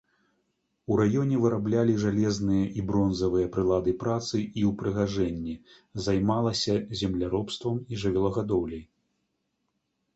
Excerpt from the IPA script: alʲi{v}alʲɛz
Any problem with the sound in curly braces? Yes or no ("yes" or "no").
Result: yes